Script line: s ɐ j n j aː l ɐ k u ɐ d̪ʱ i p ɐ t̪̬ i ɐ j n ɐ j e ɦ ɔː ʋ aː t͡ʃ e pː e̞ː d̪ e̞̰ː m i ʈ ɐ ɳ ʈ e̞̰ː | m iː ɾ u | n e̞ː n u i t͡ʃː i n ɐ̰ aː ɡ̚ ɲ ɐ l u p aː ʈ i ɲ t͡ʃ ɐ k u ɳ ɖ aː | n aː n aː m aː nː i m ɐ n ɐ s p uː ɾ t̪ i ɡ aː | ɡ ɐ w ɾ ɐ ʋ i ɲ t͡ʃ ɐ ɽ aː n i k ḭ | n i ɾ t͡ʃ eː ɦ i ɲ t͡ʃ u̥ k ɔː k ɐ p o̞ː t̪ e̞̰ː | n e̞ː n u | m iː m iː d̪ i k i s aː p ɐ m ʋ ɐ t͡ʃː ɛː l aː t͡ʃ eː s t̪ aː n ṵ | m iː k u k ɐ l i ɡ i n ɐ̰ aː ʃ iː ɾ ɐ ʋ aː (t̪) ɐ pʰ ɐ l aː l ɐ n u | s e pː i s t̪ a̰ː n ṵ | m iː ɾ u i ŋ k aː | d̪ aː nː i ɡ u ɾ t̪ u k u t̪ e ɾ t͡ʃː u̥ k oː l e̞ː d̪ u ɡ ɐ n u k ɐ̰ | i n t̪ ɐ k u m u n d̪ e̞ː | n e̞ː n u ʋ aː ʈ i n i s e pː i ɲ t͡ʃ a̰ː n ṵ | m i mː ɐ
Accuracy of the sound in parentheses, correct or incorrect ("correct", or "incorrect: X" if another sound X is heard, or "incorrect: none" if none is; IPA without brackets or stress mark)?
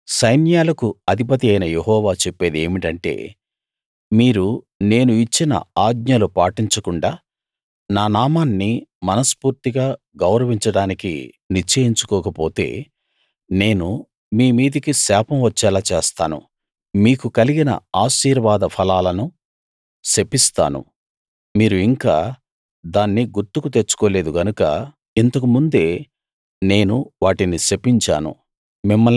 incorrect: d̪